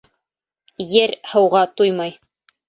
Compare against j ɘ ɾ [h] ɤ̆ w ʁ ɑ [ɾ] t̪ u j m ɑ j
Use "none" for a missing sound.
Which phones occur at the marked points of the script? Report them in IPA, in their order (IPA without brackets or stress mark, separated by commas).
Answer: h, none